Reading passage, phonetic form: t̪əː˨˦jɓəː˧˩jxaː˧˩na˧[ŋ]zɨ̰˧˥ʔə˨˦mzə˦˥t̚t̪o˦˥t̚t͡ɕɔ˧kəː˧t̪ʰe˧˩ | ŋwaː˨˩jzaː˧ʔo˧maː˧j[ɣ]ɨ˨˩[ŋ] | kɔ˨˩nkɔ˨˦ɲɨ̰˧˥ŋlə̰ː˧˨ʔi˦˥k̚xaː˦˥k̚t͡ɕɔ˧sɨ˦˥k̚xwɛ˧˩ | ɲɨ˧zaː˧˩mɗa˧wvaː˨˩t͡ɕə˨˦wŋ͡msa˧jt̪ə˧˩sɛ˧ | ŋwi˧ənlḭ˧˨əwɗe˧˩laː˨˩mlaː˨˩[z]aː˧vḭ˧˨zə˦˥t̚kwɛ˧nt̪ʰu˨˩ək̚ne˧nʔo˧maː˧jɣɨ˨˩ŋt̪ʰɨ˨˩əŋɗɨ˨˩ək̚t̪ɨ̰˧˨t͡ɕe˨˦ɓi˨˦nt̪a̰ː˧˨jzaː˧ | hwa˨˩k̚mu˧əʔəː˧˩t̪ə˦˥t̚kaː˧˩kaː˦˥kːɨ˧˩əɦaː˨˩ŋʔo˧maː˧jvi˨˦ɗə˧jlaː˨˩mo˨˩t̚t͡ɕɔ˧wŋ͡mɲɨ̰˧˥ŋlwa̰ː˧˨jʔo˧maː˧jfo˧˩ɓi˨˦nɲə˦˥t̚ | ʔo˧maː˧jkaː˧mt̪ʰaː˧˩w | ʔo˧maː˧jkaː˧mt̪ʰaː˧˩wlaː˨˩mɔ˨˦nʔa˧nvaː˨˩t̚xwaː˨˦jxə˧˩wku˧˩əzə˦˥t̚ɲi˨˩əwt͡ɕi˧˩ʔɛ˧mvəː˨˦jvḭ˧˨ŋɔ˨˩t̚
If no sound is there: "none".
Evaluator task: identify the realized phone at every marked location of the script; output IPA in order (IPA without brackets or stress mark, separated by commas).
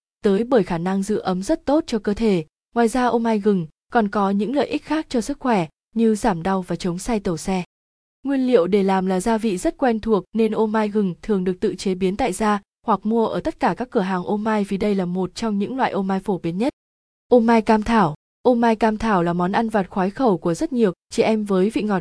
ŋ, ɣ, ŋ, z